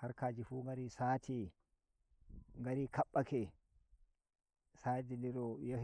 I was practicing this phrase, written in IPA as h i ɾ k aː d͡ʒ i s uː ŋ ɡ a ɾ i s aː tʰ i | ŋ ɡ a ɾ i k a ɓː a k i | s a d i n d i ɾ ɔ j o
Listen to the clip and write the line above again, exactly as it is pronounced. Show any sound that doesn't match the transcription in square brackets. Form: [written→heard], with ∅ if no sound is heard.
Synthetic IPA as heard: h [i→a] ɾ k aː d͡ʒ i [s→f] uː ŋ ɡ a ɾ i s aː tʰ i | ŋ ɡ a ɾ i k a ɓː a k [i→ɛ] | s a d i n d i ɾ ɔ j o